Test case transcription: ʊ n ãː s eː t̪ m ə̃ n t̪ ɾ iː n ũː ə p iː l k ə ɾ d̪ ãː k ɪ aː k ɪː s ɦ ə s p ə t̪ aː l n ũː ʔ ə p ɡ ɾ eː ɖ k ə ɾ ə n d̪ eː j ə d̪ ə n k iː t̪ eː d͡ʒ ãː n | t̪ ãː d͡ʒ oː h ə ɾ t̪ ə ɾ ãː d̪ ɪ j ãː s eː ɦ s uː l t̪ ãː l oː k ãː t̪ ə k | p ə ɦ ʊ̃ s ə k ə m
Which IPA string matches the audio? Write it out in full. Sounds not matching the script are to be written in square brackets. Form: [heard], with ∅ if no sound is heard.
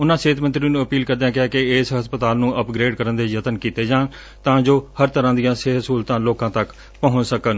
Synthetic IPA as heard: ʊ n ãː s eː t̪ m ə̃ n t̪ ɾ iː n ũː ə p iː l k ə ɾ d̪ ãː k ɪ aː k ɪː s ɦ ə s p ə t̪ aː l n ũː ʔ ə p ɡ ɾ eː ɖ k ə ɾ ə n d̪ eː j ə [t̪] ə n k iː t̪ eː d͡ʒ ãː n | t̪ ãː d͡ʒ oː h ə ɾ t̪ ə ɾ ãː d̪ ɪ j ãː s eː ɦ s uː l t̪ ãː l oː k ãː t̪ ə k | p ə ɦ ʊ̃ s ə k ə [n]